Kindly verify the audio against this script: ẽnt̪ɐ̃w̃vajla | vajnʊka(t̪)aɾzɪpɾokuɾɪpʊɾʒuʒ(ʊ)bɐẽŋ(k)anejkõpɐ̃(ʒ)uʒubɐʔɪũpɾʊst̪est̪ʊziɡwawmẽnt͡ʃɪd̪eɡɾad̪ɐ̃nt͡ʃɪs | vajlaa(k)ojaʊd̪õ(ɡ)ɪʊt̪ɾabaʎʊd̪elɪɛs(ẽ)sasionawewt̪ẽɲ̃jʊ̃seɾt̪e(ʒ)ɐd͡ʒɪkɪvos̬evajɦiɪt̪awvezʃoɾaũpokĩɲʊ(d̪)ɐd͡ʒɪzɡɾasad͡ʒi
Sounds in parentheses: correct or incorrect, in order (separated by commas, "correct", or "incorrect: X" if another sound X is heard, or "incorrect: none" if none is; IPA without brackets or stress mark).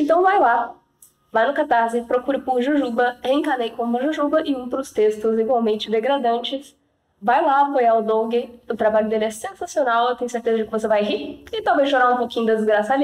correct, incorrect: u, correct, correct, incorrect: p, correct, correct, incorrect: z, correct